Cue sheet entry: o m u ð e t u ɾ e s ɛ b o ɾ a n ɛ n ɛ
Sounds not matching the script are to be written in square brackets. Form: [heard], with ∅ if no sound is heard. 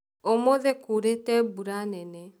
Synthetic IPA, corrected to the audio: o m [o] ð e [k] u ɾ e [t] ɛ b [u] ɾ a n ɛ n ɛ